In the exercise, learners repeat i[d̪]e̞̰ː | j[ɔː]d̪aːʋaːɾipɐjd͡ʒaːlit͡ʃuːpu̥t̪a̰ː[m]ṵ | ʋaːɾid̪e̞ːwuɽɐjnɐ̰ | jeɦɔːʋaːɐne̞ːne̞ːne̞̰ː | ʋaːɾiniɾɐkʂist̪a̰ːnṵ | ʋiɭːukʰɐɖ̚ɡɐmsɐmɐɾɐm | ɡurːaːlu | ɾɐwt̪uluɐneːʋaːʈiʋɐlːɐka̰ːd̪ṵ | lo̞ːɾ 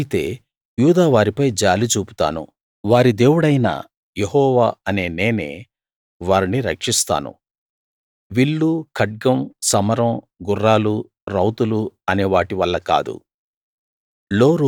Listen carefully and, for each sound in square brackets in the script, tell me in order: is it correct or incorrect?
incorrect, incorrect, incorrect

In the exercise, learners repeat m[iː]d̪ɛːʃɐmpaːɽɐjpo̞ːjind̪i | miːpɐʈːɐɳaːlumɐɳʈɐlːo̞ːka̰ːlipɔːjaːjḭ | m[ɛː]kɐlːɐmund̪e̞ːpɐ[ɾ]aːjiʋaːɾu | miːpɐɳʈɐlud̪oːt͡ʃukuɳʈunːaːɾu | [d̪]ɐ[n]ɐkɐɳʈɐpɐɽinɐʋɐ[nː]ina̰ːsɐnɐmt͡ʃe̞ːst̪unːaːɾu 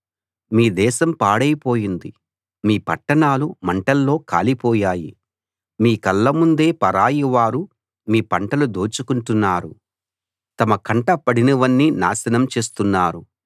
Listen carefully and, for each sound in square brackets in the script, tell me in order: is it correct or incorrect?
correct, incorrect, correct, incorrect, incorrect, correct

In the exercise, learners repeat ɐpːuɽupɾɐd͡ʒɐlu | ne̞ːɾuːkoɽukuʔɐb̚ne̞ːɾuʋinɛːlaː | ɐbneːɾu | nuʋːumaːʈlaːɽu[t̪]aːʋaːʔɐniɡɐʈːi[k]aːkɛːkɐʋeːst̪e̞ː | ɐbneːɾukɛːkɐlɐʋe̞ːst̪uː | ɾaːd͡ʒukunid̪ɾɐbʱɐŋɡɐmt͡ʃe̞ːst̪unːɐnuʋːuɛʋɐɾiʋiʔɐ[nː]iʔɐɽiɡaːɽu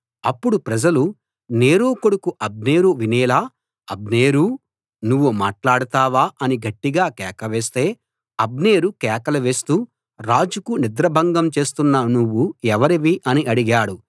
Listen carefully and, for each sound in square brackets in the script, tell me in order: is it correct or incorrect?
correct, incorrect, incorrect

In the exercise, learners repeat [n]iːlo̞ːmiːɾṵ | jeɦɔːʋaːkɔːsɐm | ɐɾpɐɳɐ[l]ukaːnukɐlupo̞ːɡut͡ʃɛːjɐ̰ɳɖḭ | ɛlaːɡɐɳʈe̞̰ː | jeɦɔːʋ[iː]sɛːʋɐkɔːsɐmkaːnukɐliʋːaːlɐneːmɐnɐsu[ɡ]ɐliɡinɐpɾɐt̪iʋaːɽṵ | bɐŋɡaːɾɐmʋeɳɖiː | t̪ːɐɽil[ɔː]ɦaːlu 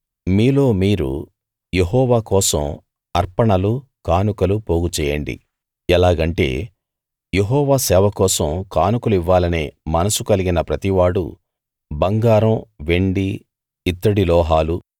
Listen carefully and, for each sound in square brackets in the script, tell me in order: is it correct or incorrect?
incorrect, correct, incorrect, incorrect, correct

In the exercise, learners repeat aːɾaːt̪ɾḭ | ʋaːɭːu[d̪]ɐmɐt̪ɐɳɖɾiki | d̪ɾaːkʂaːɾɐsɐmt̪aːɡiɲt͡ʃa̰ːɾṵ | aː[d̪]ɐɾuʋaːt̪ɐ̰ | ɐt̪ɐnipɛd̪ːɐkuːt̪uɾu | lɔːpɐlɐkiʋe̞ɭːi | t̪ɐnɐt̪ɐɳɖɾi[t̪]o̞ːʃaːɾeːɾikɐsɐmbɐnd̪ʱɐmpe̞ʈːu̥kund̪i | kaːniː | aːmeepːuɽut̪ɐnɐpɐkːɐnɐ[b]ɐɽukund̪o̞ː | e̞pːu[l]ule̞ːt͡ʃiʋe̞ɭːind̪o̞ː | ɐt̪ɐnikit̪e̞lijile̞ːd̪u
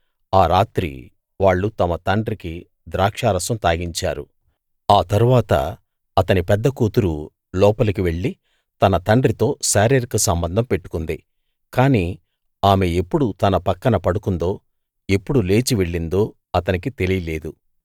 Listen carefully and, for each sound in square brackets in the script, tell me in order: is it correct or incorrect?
incorrect, incorrect, correct, incorrect, incorrect

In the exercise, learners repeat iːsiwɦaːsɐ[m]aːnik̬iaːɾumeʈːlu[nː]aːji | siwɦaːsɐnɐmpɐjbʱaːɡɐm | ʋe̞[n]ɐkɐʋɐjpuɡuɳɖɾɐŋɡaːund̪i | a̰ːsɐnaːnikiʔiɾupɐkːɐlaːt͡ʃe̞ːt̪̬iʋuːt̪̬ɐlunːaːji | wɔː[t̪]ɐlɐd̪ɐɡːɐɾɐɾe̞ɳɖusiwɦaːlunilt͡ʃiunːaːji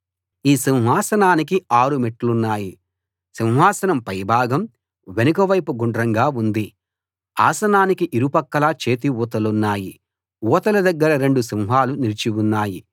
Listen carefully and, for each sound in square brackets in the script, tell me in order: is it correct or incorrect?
incorrect, correct, correct, correct

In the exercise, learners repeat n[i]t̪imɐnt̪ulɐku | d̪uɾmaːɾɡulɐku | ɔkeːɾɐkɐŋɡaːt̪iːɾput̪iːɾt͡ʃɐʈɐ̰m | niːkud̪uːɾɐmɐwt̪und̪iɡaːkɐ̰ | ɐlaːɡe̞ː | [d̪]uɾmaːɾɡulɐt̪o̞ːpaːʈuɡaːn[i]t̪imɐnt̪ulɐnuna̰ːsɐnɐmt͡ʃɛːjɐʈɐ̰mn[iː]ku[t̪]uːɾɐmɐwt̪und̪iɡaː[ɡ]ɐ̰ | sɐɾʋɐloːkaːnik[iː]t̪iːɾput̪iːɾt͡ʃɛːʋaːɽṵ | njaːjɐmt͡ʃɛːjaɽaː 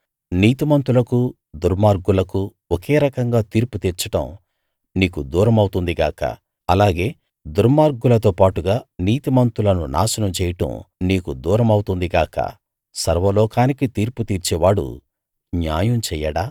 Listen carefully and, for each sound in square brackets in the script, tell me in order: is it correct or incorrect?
incorrect, correct, incorrect, correct, incorrect, incorrect, incorrect

